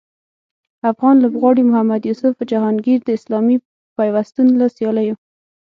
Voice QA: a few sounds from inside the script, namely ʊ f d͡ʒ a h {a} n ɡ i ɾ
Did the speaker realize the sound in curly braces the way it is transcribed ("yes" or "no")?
no